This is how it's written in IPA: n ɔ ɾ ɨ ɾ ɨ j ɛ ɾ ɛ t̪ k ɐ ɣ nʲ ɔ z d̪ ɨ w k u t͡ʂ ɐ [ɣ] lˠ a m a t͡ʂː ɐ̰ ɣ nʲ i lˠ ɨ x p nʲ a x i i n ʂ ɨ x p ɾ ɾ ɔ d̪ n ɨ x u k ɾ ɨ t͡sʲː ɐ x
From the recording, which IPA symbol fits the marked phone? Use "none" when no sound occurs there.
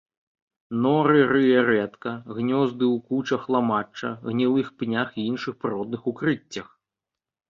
x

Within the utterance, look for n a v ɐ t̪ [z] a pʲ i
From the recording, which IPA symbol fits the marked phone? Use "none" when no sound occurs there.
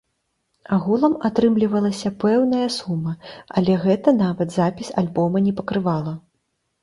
z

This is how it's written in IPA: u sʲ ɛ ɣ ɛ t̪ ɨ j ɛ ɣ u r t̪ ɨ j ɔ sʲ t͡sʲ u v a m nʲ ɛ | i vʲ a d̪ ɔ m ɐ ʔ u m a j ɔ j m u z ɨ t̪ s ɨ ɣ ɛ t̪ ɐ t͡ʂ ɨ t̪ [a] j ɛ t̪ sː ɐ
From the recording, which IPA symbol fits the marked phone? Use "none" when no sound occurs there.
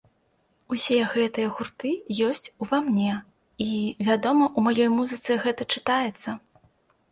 a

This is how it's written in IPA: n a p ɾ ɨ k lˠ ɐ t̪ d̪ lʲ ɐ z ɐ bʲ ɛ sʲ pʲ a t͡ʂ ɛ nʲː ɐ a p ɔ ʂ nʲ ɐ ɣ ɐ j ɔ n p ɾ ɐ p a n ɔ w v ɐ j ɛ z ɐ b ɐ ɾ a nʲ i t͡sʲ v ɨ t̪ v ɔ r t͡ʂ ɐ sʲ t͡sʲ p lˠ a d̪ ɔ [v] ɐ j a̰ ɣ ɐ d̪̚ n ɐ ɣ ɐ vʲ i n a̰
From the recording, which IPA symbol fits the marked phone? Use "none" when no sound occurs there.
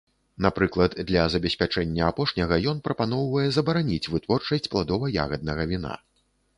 v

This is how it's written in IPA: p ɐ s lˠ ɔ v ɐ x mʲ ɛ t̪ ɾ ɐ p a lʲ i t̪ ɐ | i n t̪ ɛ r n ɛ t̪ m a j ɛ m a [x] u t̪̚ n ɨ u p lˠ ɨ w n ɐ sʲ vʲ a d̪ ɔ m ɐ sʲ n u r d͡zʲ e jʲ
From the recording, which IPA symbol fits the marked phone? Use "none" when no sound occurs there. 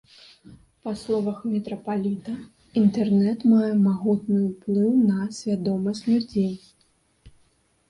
ɣ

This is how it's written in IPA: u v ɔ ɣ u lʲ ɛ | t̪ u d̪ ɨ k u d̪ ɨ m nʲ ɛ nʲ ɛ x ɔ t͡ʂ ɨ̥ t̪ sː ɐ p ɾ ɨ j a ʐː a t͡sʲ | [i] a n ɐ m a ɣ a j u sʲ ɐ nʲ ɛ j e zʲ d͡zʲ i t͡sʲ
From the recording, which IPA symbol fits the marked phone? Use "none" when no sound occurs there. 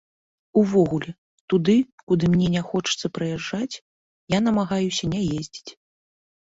j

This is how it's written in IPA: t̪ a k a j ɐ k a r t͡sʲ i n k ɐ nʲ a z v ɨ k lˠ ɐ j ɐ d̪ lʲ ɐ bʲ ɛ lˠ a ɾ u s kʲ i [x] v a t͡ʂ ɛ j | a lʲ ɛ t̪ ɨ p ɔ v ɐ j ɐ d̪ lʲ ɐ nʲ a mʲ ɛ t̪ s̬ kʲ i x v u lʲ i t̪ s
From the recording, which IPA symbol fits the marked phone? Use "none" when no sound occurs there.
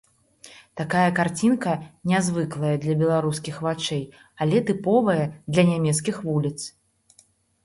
x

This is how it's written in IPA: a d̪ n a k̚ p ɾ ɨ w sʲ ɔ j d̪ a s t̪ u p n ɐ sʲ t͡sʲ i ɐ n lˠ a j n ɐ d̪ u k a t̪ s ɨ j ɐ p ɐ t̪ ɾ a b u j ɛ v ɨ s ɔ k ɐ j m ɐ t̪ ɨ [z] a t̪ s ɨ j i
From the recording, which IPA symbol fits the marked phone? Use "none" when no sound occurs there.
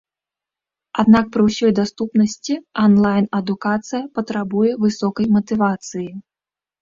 v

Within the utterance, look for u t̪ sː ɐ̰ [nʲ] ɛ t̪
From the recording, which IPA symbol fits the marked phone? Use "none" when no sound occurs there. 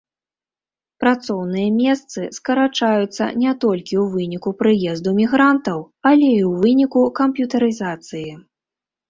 nʲ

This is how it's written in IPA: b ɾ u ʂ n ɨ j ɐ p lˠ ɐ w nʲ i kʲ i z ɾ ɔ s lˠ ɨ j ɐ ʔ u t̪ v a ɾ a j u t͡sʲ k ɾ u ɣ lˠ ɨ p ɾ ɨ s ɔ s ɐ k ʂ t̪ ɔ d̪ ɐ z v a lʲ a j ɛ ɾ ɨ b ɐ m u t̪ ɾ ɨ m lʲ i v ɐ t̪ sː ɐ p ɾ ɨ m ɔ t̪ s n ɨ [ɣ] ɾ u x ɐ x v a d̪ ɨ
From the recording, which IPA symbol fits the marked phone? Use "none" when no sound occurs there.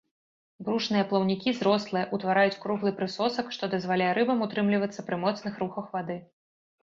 x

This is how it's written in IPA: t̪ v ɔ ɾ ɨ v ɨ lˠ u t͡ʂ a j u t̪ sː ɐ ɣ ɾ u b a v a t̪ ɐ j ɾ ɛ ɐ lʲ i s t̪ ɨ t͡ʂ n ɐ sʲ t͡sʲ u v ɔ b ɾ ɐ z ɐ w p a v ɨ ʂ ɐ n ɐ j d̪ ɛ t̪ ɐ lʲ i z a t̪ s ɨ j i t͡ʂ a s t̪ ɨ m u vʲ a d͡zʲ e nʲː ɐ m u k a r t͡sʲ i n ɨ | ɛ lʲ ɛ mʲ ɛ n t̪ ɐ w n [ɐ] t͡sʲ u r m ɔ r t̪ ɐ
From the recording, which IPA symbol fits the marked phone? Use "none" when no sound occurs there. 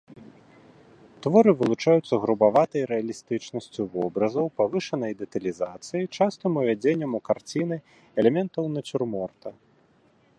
ɐ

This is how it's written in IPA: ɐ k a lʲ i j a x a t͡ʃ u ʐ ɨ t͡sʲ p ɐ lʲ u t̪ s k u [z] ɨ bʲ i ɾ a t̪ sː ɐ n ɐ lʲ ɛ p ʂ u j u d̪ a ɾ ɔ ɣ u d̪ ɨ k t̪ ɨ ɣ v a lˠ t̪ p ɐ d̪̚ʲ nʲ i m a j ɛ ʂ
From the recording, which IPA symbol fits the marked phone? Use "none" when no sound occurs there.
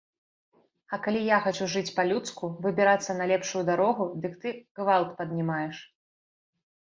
v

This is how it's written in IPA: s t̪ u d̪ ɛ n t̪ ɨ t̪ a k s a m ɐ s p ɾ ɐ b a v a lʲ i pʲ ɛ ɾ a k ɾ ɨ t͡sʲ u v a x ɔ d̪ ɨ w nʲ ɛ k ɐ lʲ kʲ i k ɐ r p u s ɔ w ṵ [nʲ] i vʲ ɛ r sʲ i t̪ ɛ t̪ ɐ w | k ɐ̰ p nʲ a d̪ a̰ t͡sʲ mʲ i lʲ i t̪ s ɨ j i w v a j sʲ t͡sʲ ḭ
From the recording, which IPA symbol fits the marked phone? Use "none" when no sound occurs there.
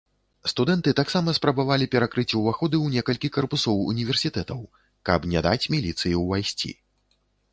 nʲ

